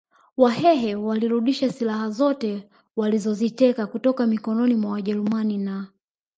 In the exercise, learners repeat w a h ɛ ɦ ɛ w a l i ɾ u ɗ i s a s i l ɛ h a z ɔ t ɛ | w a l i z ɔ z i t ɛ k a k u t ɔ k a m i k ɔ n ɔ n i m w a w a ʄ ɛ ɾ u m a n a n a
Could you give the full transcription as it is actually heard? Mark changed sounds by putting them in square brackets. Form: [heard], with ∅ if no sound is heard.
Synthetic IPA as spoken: w a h ɛ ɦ ɛ w a l i ɾ u ɗ i [ʃ] a s i l [a] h a z ɔ t ɛ | w a l i z ɔ z i t ɛ k a k u t ɔ k a m i k ɔ n ɔ n i m w a w a ʄ ɛ ɾ u m a n [i] n a